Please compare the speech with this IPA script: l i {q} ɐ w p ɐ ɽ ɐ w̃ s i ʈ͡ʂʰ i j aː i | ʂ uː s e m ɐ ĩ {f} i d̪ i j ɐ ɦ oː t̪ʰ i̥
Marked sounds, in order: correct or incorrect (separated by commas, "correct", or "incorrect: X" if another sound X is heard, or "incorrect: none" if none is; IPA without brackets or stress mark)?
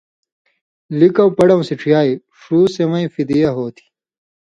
incorrect: k, correct